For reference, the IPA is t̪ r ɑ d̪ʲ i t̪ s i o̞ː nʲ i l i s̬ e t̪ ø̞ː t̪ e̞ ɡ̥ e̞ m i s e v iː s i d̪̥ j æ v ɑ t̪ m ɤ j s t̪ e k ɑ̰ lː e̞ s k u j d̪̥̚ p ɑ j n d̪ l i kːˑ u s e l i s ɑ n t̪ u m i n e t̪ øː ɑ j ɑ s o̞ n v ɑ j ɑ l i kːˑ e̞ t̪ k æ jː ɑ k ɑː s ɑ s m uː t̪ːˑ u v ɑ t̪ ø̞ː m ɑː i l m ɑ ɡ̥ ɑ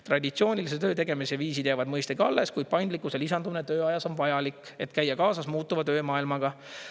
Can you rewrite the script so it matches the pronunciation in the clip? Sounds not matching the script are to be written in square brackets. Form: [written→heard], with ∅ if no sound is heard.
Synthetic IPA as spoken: t̪ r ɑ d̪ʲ i t̪ s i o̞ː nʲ i l i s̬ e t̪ ø̞ː t̪ e̞ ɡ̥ e̞ m i s e v iː s i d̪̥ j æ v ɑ [t̪→d̪] m ɤ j s t̪ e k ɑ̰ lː e̞ s k u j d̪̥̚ p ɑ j n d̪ l i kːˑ u s e l i s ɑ n [t̪→d̪] u m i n e t̪ øː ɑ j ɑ s o̞ n v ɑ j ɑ l i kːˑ e̞ t̪ k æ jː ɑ k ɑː s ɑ s m uː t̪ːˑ u v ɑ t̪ ø̞ː m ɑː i l m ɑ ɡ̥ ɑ